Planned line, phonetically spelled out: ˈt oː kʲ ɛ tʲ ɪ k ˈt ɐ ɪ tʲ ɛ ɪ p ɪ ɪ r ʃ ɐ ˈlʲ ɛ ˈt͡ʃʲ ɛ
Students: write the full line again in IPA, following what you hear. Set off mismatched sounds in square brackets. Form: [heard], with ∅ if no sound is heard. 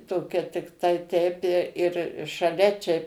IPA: ˈt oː kʲ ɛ tʲ ɪ k ˈt ɐ ɪ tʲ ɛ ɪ p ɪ ɪ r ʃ ɐ ˈlʲ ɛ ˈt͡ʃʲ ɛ

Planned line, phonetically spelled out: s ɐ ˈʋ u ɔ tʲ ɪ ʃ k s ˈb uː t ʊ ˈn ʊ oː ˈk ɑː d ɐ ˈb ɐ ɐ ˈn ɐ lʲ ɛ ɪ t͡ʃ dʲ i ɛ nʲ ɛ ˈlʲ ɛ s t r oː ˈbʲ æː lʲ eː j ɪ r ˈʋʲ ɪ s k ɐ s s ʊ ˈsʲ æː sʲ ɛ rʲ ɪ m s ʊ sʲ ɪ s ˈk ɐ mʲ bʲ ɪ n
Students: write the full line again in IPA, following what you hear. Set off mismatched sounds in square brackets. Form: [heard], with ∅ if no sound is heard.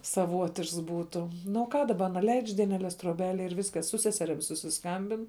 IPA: s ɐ ˈʋ u ɔ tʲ ɪ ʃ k s ˈb uː t ʊ ˈn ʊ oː ˈk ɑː d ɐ ˈb ɐ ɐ ˈn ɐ lʲ ɛ ɪ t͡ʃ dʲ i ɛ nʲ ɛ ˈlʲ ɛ s t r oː ˈbʲ æː lʲ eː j ɪ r ˈʋʲ ɪ s k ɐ s s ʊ ˈsʲ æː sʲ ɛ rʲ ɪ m s ʊ sʲ ɪ s ˈk ɐ mʲ bʲ ɪ n

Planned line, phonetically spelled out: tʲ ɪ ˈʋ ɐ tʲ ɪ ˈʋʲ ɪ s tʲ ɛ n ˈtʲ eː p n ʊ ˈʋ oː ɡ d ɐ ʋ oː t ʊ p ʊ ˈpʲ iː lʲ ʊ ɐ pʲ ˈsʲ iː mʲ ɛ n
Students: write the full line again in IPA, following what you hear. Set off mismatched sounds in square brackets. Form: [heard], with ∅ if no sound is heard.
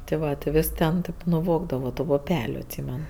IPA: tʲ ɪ ˈʋ ɐ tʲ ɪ ˈʋʲ ɪ s tʲ ɛ n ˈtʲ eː p n ʊ ˈʋ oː ɡ d ɐ ʋ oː t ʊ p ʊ ˈpʲ [æː] lʲ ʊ ɐ [tʲ] ˈsʲ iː mʲ ɛ n

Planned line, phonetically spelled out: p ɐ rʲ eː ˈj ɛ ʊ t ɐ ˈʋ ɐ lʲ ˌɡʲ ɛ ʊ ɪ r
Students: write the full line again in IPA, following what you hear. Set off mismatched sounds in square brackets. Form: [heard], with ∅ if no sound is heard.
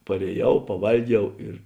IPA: p ɐ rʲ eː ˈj ɛ ʊ [p] ɐ ˈʋ ɐ lʲ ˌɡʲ ɛ ʊ ɪ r

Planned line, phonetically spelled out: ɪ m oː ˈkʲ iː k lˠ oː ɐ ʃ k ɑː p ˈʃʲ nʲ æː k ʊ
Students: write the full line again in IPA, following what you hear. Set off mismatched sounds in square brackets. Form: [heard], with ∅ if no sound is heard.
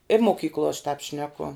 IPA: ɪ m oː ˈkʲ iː k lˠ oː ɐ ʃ [t] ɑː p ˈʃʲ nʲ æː k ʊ

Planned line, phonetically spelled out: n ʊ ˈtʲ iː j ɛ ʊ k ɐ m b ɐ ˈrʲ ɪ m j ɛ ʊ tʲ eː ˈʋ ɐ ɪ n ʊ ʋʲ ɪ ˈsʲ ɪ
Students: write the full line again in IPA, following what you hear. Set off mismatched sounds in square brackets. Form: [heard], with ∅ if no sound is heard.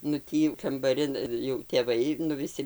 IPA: n ʊ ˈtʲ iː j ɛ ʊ k ɐ m b ɐ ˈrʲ ɪ [n] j ɛ ʊ tʲ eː ˈʋ ɐ ɪ n ʊ ʋʲ ɪ ˈsʲ ɪ

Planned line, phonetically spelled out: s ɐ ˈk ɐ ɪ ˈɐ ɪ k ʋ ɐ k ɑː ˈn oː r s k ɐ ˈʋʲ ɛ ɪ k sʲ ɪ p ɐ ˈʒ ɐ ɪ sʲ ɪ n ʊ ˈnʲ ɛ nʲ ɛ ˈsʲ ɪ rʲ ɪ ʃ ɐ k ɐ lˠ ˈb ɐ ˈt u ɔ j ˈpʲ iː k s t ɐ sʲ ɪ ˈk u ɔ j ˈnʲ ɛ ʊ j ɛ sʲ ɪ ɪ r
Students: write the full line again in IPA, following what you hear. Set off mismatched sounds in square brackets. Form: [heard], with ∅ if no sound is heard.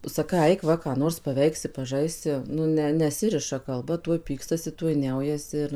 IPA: s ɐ ˈk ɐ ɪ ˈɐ ɪ k ʋ ɐ k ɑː ˈn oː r s [p] ɐ ˈʋʲ ɛ ɪ k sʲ ɪ p ɐ ˈʒ ɐ ɪ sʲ ɪ n ʊ ˈnʲ ɛ nʲ ɛ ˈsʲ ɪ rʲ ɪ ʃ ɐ k ɐ lˠ ˈb ɐ ˈt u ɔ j ˈpʲ iː k s t ɐ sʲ ɪ [ˈt] u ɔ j ˈnʲ ɛ ʊ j ɛ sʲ ɪ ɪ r

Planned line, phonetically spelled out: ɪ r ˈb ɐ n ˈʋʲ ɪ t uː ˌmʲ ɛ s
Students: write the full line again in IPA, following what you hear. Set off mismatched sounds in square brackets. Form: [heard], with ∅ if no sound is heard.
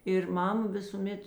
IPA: ɪ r [ˈm] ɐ [m] ˈʋʲ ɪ [s] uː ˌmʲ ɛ [t]

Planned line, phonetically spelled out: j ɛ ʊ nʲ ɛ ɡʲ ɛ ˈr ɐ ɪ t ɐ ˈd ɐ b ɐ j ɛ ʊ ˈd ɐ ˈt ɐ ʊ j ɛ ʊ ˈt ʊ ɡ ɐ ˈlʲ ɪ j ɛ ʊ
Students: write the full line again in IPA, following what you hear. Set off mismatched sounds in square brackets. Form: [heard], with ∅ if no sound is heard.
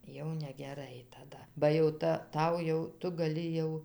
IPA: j ɛ ʊ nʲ ɛ ɡʲ ɛ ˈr ɐ ɪ t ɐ ˈd ɐ b ɐ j ɛ ʊ [ˈt] ɐ ˈt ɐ ʊ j ɛ ʊ ˈt ʊ ɡ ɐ ˈlʲ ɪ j ɛ ʊ

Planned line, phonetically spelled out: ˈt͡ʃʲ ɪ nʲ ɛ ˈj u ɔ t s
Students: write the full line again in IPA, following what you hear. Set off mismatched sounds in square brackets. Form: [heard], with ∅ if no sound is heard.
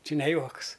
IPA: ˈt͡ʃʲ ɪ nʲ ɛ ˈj u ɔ [k] s

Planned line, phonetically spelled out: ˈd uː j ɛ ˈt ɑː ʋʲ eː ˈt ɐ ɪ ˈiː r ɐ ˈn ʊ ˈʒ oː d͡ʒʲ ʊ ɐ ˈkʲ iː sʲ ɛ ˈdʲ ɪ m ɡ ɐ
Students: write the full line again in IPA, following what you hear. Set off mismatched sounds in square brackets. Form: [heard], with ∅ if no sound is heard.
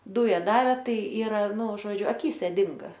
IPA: ˈd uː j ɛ [ˈd] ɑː ʋʲ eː ˈt ɐ ɪ ˈiː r ɐ ˈn ʊ ˈʒ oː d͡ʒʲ ʊ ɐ ˈkʲ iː sʲ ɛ ˈdʲ ɪ [ŋ] ɡ ɐ

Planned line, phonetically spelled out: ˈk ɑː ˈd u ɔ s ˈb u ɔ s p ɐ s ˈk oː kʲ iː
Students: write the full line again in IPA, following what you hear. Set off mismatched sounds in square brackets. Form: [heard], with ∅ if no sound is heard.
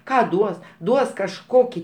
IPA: ˈk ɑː ˈd u ɔ s [ˈd] u ɔ s [k] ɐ [ʃ] ˈk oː kʲ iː

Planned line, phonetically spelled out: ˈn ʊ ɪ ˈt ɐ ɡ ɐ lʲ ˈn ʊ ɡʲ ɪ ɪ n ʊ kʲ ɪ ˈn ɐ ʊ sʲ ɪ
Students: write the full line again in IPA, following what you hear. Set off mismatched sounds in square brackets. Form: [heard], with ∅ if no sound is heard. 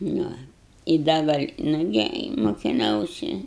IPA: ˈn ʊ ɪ [ˈd] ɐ ɡ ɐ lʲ ˈn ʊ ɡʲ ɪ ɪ [m] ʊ kʲ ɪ ˈn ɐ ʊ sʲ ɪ

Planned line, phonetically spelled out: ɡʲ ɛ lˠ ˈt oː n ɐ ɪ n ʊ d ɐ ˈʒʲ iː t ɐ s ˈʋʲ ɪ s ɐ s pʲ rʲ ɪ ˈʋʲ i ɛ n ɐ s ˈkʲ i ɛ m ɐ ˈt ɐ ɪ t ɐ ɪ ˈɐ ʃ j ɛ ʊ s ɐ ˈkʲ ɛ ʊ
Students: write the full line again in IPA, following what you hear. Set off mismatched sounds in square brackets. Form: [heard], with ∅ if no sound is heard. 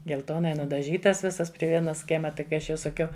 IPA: ɡʲ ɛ lˠ ˈt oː n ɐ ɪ n ʊ d ɐ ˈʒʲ iː t ɐ s ˈʋʲ ɪ s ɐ s pʲ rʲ ɪ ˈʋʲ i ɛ n ɐ s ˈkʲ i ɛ m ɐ ˈt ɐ ɪ [k] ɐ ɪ ˈɐ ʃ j ɛ ʊ s ɐ ˈkʲ ɛ ʊ

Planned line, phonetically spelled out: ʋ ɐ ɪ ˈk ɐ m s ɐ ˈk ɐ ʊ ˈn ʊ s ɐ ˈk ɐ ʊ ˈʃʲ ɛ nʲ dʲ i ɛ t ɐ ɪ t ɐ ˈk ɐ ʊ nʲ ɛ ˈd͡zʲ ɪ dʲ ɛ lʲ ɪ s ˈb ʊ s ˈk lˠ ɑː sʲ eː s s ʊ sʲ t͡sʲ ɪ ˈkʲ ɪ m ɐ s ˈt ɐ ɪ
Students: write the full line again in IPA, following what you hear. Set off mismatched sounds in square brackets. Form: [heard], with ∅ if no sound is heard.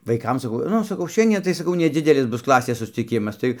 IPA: ʋ ɐ ɪ ˈk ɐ m s ɐ ˈk ɐ ʊ ˈn ʊ s ɐ ˈk ɐ ʊ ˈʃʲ ɛ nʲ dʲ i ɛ t ɐ ɪ [s] ɐ ˈk ɐ ʊ nʲ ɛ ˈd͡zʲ ɪ dʲ ɛ lʲ ɪ s ˈb ʊ s ˈk lˠ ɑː sʲ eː s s ʊ sʲ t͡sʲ ɪ ˈkʲ ɪ m ɐ s ˈt ɐ ɪ

